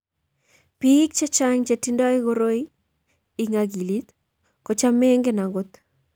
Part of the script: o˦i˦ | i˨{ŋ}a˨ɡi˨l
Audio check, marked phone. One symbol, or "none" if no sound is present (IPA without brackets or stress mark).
ŋ